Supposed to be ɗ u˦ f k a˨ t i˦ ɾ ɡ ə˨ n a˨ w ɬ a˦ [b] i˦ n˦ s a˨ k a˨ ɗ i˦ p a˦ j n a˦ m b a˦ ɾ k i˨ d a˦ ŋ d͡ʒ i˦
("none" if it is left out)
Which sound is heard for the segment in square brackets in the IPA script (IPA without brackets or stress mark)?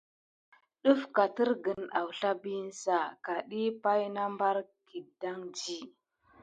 b